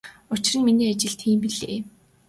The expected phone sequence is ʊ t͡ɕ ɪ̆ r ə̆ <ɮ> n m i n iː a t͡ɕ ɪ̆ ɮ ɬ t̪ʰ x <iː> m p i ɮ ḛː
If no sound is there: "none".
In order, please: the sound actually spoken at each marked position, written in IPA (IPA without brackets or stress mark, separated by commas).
none, iː